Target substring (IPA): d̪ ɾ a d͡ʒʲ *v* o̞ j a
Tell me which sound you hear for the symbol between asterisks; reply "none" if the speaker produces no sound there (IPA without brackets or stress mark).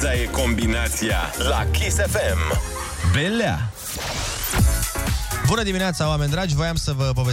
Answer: v